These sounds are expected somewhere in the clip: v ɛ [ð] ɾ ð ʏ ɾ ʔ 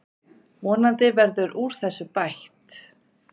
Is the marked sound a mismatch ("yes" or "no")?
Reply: yes